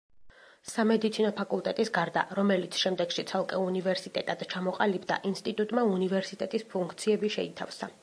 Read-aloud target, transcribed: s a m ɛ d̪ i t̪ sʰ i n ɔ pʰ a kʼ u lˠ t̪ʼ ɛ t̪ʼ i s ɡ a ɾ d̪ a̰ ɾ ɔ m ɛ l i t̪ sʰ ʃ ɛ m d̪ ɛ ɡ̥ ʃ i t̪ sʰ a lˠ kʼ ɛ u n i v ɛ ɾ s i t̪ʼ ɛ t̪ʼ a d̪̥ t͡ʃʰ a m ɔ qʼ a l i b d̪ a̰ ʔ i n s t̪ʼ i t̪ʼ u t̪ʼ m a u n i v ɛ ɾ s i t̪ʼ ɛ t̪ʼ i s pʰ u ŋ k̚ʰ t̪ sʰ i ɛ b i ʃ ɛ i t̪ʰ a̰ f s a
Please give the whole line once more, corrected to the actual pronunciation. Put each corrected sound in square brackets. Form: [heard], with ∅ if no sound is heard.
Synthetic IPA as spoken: s a m ɛ d̪ i t̪ sʰ i n ɔ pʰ a kʼ u lˠ t̪ʼ ɛ t̪ʼ i s ɡ a ɾ d̪ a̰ ɾ ɔ m ɛ l i t̪ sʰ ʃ ɛ m d̪ ɛ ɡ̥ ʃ i t̪ sʰ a lˠ kʼ ɛ u n i v ɛ ɾ s i t̪ʼ ɛ t̪ʼ a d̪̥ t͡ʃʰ a m ɔ qʼ a l i b d̪ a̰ ʔ i n s t̪ʼ i t̪ʼ u t̪ʼ m a u n i v ɛ ɾ s i t̪ʼ ɛ t̪ʼ i s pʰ u ŋ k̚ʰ t̪ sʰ i ɛ b i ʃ ɛ i t̪ʰ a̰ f s a